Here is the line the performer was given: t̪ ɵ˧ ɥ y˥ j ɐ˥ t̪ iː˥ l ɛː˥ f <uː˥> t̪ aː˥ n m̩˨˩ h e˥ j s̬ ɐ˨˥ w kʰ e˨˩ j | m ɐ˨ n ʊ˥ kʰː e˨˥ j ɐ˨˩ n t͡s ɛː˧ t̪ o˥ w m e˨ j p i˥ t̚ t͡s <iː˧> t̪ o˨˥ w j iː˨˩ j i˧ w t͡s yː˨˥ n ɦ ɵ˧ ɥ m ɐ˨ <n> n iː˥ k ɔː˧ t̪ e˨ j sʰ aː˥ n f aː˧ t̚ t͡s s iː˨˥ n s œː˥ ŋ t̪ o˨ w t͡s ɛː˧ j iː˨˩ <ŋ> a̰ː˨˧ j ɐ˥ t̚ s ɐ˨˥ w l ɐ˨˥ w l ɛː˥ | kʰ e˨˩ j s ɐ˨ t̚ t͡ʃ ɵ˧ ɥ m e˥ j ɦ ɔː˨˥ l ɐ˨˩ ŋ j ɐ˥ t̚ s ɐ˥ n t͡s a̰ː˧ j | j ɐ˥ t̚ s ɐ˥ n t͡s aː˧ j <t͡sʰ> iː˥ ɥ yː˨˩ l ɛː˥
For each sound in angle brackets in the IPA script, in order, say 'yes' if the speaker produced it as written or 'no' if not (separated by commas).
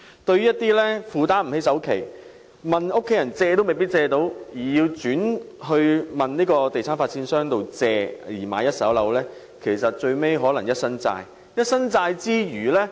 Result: no, no, yes, no, no